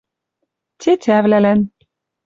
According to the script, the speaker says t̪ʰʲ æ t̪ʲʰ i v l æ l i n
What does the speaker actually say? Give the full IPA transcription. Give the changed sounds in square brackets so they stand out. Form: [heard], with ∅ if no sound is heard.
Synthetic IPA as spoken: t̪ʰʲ [e] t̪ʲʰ [æ] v l æ l [æ] n